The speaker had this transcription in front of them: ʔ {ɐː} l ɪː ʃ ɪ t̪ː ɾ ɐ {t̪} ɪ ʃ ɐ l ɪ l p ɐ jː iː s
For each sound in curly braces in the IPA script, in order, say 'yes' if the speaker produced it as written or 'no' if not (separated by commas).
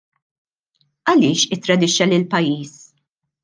no, no